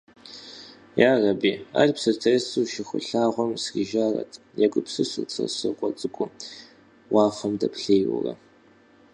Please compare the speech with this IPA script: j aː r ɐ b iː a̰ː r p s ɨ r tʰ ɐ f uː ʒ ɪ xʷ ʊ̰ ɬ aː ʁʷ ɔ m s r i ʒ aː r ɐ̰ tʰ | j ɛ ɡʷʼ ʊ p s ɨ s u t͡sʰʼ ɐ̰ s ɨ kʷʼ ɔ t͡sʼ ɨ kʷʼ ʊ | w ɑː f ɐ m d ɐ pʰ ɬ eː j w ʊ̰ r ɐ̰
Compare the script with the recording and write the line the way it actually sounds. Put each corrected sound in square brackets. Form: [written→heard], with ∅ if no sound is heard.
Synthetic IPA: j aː r ɐ b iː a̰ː r p s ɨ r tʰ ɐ [f→s] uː [ʒ→ʃ] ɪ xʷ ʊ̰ ɬ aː ʁʷ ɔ m s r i ʒ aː r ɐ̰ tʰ | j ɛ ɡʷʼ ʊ p s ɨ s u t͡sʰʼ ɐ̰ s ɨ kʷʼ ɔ t͡sʼ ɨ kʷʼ ʊ | w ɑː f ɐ m d ɐ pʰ ɬ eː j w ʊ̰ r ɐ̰